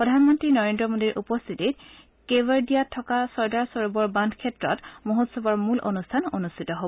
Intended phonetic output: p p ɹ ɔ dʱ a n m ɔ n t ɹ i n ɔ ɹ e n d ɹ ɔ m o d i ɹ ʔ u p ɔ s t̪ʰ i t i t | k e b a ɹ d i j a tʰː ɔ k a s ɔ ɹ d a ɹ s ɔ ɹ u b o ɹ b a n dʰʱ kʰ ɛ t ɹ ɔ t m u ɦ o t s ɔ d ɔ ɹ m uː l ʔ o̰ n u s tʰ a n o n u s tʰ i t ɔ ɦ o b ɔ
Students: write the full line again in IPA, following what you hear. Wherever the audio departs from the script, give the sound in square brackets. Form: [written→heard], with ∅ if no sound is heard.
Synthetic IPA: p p ɹ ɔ dʱ a n m ɔ n t ɹ i n ɔ ɹ e n d ɹ ɔ m o d i ɹ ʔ u p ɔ s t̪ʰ i t i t | k e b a ɹ d i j a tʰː ɔ k a s ɔ ɹ d a ɹ s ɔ ɹ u b [o→ɔ] ɹ b a n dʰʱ kʰ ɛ t ɹ ɔ t m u ɦ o t s ɔ [d→b] ɔ ɹ m [uː→u] l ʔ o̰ n u s tʰ a n o n u s tʰ i t ɔ ɦ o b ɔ